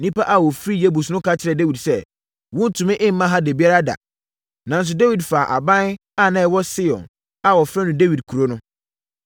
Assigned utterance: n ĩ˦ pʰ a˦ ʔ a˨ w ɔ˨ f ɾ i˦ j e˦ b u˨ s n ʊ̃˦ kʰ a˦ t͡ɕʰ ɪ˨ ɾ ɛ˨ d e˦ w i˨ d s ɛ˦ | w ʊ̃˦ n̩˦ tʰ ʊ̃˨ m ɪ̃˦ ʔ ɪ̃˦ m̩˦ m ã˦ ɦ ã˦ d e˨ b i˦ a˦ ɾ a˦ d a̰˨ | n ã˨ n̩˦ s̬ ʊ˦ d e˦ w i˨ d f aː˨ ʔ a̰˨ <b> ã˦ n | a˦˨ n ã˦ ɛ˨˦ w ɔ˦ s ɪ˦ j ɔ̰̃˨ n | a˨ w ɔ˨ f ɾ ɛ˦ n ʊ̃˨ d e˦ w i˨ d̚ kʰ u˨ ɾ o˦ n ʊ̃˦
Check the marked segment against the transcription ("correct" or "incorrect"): correct